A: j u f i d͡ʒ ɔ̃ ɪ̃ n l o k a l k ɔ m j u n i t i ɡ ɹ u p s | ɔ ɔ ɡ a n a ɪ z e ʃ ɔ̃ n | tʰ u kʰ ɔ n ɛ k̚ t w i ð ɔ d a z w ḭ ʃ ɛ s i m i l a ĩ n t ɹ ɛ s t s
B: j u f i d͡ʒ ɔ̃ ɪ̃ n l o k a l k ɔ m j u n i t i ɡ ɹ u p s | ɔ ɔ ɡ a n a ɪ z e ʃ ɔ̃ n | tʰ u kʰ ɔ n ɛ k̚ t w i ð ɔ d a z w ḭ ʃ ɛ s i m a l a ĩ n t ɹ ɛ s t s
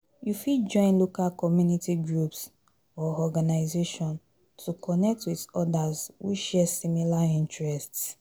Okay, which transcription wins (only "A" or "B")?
A